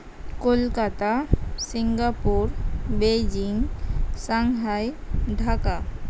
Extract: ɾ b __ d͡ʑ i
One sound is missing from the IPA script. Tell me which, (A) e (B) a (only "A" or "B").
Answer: A